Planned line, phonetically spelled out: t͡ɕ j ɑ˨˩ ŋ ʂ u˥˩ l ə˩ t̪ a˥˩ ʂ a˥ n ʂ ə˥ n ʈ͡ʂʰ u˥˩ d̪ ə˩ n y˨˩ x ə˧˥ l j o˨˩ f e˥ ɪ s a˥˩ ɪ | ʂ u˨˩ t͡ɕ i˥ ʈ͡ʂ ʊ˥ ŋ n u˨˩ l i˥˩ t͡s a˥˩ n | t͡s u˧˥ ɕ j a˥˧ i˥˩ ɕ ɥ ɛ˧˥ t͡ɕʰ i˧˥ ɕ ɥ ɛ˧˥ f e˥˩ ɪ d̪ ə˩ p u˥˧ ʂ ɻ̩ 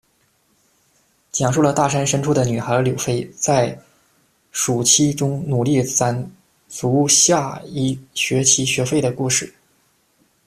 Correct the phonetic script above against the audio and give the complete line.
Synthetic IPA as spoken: t͡ɕ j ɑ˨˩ ŋ ʂ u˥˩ l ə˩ t̪ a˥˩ ʂ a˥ n ʂ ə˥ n ʈ͡ʂʰ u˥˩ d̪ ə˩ n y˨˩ x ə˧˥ l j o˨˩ f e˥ ɪ t͡s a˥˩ ɪ | ʂ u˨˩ t͡ɕʰ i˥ ʈ͡ʂ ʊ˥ ŋ n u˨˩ l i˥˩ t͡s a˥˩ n | t͡s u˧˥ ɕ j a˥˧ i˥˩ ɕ ɥ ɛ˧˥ t͡ɕʰ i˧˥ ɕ ɥ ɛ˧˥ f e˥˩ ɪ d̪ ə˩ k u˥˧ ʂ ɻ̩